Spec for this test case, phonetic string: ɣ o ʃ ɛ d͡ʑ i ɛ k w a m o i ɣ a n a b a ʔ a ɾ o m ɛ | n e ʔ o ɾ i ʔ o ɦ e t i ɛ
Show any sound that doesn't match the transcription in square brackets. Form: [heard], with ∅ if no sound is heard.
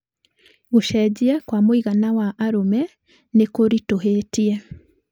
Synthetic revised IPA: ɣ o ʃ ɛ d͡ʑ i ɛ k w a m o i ɣ a n a [w] a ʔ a ɾ o m ɛ | n e [k] o ɾ i [t] o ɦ e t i ɛ